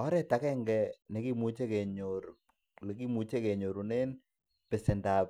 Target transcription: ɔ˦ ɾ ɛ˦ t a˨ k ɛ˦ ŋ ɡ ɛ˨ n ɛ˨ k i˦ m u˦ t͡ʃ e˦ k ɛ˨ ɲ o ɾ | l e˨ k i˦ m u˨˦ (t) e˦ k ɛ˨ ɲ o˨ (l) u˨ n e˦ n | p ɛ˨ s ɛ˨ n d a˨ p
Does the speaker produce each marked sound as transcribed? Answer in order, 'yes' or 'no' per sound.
no, no

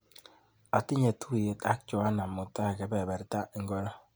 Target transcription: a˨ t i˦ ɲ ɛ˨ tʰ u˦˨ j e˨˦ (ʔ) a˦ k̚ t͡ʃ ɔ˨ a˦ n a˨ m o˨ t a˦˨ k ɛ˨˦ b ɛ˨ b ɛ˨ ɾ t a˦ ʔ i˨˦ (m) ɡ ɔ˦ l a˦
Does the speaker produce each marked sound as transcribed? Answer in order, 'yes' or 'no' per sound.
no, no

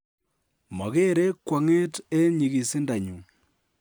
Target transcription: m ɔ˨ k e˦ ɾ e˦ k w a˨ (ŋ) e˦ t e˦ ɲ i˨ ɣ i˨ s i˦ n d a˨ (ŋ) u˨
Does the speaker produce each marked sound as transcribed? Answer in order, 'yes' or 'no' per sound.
yes, no

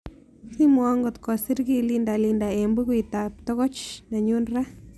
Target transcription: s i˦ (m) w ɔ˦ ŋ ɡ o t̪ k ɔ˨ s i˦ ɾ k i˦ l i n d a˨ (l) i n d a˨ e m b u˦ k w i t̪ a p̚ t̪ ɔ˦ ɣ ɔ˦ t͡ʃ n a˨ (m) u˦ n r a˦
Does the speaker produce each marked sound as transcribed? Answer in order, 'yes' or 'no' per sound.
yes, yes, no

